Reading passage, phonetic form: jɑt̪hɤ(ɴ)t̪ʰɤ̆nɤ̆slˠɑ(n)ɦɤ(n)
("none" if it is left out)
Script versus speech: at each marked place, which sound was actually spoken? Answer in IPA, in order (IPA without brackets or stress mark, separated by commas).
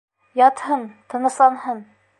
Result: n, n, n